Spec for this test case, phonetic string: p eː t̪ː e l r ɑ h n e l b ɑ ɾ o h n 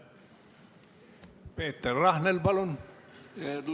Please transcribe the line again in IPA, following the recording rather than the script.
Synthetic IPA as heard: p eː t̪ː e r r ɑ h n e l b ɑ l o n